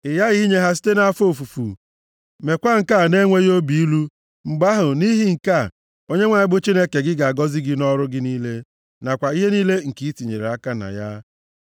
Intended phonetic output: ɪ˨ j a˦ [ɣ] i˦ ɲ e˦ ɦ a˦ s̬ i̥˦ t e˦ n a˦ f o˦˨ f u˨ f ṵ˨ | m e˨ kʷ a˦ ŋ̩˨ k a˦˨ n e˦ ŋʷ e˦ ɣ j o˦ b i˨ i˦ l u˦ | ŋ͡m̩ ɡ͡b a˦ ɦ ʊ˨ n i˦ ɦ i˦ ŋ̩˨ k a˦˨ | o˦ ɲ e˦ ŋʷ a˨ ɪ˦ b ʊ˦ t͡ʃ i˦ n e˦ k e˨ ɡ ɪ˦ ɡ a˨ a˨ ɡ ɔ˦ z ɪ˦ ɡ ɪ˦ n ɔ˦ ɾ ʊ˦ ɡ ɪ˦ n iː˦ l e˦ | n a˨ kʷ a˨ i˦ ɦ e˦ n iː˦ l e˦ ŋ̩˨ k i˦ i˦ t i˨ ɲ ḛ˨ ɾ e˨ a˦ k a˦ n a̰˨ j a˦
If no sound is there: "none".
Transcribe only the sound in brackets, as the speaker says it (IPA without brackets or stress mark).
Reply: ɣ